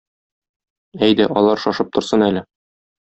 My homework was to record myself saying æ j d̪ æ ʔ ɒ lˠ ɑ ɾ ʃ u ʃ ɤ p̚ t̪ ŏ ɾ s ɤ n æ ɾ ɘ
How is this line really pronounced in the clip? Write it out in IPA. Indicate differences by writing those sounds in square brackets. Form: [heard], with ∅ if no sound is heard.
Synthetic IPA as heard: æ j d̪ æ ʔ ɒ lˠ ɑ ɾ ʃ [ɒ] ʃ ɤ p̚ t̪ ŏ ɾ s ɤ n æ [l] ɘ

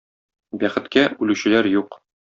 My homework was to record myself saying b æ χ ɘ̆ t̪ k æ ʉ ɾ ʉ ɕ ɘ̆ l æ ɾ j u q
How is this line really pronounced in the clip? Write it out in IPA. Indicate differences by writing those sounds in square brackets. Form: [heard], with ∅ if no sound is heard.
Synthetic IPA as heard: b æ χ ɘ̆ t̪ k æ ʉ [l] ʉ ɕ ɘ̆ l æ ɾ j u q

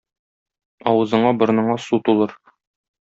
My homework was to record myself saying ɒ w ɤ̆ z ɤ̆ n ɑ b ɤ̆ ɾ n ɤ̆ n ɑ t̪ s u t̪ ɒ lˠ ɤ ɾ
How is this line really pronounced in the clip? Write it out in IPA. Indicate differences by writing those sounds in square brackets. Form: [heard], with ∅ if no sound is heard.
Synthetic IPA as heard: ɒ w ɤ̆ z ɤ̆ [ɴ] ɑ b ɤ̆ ɾ n ɤ̆ [ɴ] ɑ [∅] s u t̪ [u] lˠ ɤ ɾ

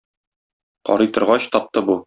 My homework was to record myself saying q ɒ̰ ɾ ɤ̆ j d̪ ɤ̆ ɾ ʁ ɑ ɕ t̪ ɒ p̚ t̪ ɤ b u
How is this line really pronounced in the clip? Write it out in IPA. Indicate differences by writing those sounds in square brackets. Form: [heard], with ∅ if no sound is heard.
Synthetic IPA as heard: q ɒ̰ ɾ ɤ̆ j [t̪] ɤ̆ ɾ ʁ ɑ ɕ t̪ ɒ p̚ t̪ ɤ b u

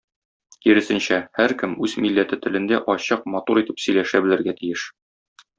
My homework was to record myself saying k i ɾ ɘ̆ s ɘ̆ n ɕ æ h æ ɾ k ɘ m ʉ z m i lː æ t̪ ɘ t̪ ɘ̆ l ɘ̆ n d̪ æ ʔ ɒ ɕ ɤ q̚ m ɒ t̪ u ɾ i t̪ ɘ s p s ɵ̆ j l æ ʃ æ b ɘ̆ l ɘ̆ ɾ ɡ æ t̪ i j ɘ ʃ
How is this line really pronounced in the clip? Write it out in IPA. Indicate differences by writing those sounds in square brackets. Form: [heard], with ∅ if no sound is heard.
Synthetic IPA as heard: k i ɾ ɘ̆ s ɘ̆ n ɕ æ h æ ɾ k ɘ m ʉ z m i lː æ t̪ ɘ t̪ ɘ̆ l ɘ̆ n d̪ æ ʔ ɒ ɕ ɤ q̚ m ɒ t̪ u ɾ i t̪ ɘ [∅] p s ɵ̆ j l æ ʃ æ b ɘ̆ l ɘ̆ ɾ ɡ æ t̪ i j ɘ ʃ

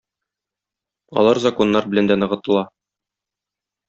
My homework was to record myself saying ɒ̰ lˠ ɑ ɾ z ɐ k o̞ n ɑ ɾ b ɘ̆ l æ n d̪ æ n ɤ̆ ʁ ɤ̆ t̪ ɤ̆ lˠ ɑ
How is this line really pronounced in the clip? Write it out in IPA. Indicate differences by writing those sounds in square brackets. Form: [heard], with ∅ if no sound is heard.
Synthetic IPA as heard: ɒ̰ lˠ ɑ ɾ z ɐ k o̞ [nː] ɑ ɾ b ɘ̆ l æ n d̪ æ n ɤ̆ ʁ ɤ̆ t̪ ɤ̆ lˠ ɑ

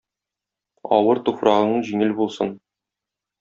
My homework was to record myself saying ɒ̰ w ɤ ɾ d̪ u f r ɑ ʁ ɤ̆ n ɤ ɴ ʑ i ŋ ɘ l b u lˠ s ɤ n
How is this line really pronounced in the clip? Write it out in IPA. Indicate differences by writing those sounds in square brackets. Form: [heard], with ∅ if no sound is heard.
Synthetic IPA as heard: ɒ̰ w ɤ ɾ [t̪] u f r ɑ ʁ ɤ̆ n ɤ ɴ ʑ i ŋ ɘ l b u lˠ s ɤ n

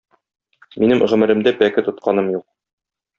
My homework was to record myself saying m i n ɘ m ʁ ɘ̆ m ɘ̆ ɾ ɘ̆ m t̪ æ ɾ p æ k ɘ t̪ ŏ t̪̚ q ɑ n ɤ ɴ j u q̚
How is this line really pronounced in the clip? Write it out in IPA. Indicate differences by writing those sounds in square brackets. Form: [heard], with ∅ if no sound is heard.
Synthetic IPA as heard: m i n ɘ m ʁ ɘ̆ m ɘ̆ ɾ ɘ̆ m [d̪] æ [∅] p æ k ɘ t̪ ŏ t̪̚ q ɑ n ɤ [m] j u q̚

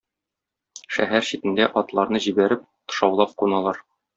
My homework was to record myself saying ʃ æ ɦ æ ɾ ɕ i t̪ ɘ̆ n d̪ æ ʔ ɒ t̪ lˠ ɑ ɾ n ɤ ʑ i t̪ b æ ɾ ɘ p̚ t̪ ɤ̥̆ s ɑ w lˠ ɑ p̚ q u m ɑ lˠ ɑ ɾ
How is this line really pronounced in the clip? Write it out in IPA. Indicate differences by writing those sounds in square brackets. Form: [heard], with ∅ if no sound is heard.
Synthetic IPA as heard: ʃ æ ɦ æ ɾ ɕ i t̪ ɘ̆ n d̪ æ ʔ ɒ t̪ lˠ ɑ ɾ n ɤ ʑ i [∅] b æ ɾ ɘ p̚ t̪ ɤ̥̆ [ʃ] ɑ w lˠ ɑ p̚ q u [n] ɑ lˠ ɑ ɾ

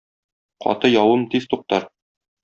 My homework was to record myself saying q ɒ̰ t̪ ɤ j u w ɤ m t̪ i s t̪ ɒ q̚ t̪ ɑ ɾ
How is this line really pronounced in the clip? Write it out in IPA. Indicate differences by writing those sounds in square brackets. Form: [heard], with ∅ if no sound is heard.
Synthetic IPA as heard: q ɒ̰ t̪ ɤ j [ɒ] w ɤ m t̪ i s t̪ [u] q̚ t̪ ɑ ɾ

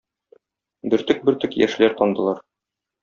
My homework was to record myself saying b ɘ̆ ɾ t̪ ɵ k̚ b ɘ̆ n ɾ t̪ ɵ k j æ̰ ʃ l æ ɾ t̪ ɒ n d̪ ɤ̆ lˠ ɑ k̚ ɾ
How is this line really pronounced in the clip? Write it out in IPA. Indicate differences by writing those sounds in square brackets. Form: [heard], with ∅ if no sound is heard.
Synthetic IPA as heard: b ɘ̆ ɾ t̪ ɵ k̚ b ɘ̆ [∅] ɾ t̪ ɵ k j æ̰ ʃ l æ ɾ t̪ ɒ n d̪ ɤ̆ lˠ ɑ [∅] ɾ

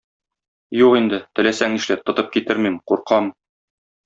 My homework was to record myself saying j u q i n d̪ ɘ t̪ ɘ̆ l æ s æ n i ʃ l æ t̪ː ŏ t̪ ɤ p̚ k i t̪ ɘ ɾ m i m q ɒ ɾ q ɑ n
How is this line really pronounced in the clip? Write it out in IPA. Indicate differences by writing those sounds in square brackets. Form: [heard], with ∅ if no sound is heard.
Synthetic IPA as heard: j u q i n d̪ ɘ t̪ ɘ̆ l æ s æ [ŋ] i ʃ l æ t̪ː ŏ t̪ ɤ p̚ k i t̪ ɘ ɾ m i m q [u] ɾ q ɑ [m]

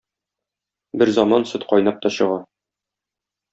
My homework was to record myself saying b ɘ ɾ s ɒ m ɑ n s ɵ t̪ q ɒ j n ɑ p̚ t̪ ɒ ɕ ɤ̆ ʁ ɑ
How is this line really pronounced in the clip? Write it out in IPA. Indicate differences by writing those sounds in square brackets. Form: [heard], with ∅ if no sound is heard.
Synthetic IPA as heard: b ɘ ɾ [z] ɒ m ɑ n s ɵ t̪ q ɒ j n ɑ p̚ t̪ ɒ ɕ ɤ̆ ʁ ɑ

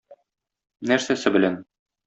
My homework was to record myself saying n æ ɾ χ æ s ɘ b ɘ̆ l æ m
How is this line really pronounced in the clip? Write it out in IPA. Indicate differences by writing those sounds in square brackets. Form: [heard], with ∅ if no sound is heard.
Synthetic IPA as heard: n æ ɾ [s] æ s ɘ b ɘ̆ l æ [n]

